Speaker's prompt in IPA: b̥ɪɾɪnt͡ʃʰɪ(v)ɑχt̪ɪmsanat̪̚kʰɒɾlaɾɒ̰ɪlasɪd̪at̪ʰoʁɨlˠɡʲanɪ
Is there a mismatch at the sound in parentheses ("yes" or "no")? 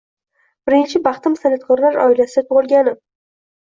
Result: yes